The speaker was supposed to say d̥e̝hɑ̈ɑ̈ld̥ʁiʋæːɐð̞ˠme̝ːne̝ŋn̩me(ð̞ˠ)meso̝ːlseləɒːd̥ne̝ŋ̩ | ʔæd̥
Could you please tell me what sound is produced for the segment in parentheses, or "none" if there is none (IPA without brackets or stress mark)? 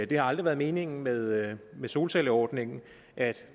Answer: ð̞ˠ